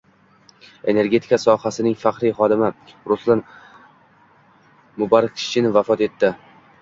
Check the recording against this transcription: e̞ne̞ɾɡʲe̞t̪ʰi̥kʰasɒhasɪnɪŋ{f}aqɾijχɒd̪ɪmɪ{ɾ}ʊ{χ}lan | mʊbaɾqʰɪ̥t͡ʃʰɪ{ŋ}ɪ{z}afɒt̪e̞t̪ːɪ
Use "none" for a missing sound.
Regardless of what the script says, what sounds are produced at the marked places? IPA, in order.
f, ɾ, s, n, v

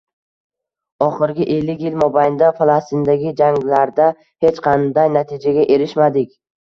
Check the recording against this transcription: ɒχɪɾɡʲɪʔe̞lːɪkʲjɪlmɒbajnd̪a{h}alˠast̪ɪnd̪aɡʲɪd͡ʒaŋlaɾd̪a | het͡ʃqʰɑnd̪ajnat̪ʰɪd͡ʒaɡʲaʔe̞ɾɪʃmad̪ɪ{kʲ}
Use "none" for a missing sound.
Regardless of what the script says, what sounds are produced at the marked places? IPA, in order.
f, kʲ

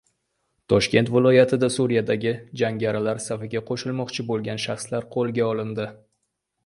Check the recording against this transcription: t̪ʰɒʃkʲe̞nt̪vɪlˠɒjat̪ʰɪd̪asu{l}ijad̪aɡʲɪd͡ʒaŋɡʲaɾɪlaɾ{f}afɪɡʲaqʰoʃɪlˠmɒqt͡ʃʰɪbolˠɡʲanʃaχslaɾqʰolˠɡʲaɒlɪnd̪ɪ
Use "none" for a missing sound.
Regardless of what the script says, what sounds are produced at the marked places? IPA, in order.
ɾ, s

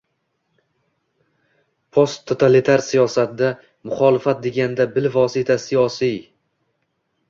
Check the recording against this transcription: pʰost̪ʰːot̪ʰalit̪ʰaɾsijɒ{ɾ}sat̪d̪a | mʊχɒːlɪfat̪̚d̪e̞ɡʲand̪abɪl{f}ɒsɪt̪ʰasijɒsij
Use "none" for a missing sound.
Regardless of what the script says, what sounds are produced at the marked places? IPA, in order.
none, v

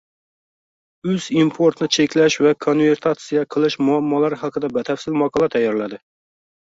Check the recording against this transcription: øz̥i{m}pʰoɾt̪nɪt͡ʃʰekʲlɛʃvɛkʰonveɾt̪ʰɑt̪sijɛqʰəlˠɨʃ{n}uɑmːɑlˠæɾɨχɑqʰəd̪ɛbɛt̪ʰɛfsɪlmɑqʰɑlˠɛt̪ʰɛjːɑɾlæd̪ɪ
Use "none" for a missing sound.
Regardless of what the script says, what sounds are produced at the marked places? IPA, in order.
m, m

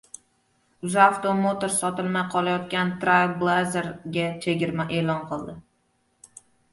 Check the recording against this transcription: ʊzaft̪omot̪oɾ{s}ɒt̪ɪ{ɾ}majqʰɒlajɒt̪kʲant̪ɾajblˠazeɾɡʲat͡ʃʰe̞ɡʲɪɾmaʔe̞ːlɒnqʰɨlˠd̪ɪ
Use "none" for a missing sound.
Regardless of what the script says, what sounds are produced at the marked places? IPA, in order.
s, l

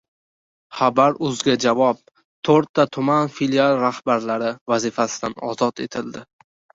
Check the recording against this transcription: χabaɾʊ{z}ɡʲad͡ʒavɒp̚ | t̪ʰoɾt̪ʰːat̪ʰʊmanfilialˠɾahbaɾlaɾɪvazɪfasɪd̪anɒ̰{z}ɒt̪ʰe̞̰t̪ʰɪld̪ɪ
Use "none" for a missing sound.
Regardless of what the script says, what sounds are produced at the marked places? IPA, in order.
z, z

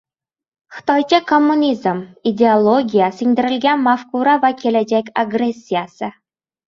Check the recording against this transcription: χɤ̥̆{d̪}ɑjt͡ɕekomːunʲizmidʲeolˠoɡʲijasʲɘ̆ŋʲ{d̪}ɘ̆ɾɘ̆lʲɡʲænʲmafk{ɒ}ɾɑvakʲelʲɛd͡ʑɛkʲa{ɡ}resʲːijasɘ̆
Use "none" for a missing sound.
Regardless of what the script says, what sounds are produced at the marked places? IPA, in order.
t̪, d̪, u, ɡ

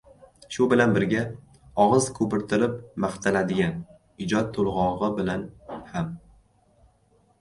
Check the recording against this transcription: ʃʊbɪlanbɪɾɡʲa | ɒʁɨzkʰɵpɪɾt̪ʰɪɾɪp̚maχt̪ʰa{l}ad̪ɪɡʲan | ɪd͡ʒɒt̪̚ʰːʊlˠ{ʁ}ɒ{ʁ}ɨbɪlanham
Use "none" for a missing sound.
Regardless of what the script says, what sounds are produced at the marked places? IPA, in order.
l, ʁ, ʁ

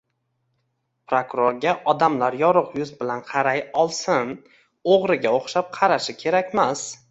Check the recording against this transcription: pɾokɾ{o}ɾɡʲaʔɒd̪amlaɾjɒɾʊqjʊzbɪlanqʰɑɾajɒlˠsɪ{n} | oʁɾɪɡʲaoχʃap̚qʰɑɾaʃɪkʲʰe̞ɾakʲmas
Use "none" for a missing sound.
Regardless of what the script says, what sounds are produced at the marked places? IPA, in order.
o, n

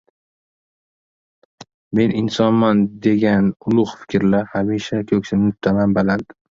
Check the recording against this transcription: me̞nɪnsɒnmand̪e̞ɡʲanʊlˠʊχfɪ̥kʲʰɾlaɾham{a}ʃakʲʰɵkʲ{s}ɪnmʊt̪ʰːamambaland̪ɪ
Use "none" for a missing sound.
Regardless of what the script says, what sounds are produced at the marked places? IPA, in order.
i, s

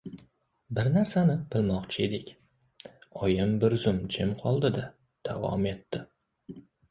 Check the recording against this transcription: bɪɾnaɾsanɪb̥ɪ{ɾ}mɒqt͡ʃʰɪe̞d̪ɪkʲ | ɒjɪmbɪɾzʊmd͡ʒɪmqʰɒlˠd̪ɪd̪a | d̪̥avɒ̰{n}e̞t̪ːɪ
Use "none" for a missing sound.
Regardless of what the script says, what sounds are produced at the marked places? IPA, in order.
l, m

